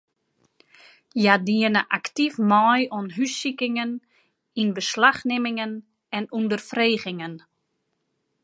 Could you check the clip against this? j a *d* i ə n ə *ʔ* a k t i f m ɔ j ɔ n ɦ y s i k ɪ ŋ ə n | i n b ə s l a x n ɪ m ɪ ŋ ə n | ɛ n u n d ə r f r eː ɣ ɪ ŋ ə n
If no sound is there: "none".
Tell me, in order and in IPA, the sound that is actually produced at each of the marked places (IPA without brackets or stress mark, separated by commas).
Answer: d, ʔ